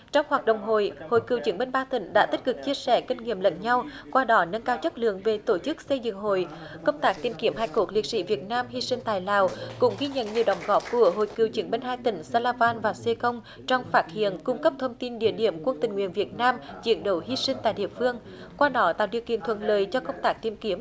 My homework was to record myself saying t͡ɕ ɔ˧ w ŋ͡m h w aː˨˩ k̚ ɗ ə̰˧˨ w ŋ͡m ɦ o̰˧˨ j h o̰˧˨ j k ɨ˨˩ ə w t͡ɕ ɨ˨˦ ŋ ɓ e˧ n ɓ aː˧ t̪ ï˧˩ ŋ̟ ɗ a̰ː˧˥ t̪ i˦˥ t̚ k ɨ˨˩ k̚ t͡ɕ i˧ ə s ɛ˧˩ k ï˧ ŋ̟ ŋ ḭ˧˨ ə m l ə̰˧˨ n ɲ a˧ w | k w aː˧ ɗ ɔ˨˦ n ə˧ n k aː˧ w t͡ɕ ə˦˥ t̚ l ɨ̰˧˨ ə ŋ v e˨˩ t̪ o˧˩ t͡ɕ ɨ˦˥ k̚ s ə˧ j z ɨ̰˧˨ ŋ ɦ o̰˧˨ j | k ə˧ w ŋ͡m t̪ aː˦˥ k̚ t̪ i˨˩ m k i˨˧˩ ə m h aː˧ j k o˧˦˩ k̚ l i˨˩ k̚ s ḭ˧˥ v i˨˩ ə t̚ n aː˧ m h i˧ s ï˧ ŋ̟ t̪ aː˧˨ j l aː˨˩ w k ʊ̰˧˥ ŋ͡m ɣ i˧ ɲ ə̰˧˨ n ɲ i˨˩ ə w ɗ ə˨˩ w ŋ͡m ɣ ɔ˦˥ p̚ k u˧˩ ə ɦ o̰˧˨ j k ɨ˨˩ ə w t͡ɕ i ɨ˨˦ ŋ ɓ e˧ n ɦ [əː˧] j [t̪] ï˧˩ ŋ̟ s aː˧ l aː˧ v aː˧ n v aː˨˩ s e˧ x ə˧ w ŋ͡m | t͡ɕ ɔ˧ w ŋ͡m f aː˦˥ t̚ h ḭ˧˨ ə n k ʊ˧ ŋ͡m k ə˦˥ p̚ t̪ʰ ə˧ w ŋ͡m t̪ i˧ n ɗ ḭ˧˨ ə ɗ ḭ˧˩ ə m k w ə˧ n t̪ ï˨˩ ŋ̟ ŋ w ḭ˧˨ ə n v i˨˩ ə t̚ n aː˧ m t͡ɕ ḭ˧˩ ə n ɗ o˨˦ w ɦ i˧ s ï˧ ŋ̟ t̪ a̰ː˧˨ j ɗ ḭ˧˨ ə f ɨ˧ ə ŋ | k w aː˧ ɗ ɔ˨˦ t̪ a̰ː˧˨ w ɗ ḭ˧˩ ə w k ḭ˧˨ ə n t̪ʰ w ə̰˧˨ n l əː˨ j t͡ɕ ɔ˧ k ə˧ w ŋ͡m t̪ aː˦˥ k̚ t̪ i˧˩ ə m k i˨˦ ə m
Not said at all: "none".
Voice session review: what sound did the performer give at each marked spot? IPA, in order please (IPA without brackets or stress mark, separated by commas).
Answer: aː˧, t̪